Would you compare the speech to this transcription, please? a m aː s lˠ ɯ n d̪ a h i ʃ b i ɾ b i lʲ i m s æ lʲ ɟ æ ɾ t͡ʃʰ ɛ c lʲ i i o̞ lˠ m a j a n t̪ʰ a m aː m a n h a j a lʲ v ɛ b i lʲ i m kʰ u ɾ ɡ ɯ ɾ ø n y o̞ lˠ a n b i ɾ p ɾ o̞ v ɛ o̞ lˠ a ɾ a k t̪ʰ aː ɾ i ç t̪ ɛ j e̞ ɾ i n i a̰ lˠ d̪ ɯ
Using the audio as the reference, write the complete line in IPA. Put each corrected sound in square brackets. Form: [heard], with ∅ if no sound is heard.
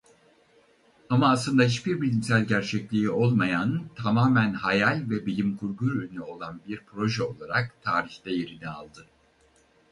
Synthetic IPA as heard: a m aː s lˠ ɯ n d̪ a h i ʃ b i ɾ b i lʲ i m s æ lʲ ɟ æ ɾ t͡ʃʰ ɛ c lʲ i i o̞ lˠ m a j a n t̪ʰ a m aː m [æ] n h a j a lʲ v ɛ b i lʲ i m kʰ u ɾ ɡ [u] ɾ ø n y o̞ lˠ a n b i ɾ p ɾ o̞ [ʒ] ɛ o̞ lˠ a ɾ a k t̪ʰ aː ɾ i ç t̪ ɛ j e̞ ɾ i n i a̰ lˠ d̪ ɯ

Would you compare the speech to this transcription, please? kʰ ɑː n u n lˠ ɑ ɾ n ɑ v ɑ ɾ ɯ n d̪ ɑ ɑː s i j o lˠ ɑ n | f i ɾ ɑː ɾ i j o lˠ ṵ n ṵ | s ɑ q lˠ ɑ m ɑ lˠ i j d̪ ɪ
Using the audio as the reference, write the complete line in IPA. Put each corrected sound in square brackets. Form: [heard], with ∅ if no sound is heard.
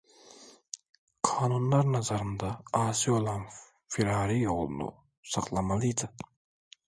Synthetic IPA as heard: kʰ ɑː n u n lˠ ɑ ɾ n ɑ [z] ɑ ɾ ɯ n d̪ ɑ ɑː s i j o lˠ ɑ n | f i ɾ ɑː ɾ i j o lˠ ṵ n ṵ | s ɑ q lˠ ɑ m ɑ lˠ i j d̪ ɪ

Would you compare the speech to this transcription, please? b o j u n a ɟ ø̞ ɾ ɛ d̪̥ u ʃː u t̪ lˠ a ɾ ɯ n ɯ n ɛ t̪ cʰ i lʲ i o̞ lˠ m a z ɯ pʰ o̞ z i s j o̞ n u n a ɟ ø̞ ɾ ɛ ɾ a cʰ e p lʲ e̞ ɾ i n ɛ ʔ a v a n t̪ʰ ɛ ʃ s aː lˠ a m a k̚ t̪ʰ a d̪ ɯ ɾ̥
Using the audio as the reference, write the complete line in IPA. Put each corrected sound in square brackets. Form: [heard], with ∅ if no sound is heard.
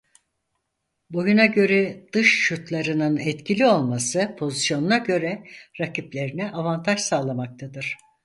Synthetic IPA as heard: b o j u n a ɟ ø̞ ɾ ɛ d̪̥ [ɯ] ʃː u t̪ lˠ a ɾ ɯ n ɯ n ɛ t̪ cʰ i lʲ i o̞ lˠ m a [s] ɯ pʰ o̞ z i s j o̞ n u n a ɟ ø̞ ɾ ɛ ɾ a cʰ [i] p lʲ e̞ ɾ i n ɛ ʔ a v a n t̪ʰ [a] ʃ s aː lˠ a m a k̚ t̪ʰ a d̪ ɯ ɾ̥

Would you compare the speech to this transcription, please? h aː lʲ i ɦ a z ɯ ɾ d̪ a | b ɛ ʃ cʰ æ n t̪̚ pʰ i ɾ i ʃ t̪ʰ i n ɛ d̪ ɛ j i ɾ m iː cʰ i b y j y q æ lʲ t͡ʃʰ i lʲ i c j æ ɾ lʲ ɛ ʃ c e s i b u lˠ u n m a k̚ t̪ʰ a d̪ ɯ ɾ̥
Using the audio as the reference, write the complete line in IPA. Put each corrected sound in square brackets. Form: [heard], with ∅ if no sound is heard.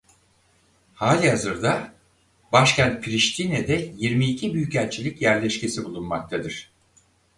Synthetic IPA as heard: h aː lʲ i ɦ a z ɯ ɾ d̪ a | b [a] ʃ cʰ æ n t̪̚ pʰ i ɾ i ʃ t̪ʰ i n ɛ d̪ ɛ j i ɾ m iː cʰ i b y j y [c] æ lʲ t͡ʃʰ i lʲ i c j æ ɾ lʲ ɛ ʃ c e s i b u lˠ u n m a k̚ t̪ʰ a d̪ ɯ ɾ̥

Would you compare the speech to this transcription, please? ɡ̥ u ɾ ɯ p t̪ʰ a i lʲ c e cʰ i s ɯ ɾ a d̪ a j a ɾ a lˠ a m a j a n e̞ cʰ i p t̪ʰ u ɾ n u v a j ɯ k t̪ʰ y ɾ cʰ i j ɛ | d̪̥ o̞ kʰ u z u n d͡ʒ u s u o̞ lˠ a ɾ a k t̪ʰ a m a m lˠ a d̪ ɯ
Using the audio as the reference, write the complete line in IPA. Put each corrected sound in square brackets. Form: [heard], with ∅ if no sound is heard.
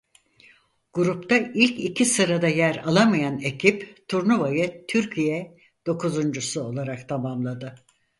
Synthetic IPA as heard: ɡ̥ u ɾ [u] p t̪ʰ a i lʲ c [i] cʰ i s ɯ ɾ a d̪ a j [æ] ɾ a lˠ a m a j a n e̞ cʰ i p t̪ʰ u ɾ n u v a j ɯ [∅] t̪ʰ y ɾ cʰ i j ɛ | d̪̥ o̞ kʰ u z u n d͡ʒ u s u o̞ lˠ a ɾ a k t̪ʰ a m a m lˠ a d̪ ɯ

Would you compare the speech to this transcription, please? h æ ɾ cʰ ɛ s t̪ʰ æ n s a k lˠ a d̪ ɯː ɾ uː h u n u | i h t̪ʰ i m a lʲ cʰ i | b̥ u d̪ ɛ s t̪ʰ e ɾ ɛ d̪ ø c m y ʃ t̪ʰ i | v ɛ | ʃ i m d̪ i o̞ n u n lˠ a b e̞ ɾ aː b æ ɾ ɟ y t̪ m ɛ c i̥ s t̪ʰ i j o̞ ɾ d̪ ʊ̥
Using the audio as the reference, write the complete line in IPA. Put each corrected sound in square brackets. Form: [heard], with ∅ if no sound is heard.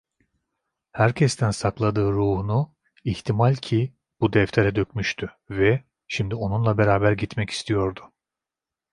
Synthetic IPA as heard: h æ ɾ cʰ ɛ s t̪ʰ æ n s a k lˠ a d̪ ɯː ɾ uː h u n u | i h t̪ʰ i m a lʲ cʰ i | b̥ u d̪ ɛ [f] t̪ʰ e ɾ ɛ d̪ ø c m y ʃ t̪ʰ [y] | v ɛ | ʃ i m d̪ i o̞ n u n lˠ a b e̞ ɾ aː b æ ɾ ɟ [i] t̪ m ɛ c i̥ s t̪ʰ i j o̞ ɾ d̪ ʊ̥

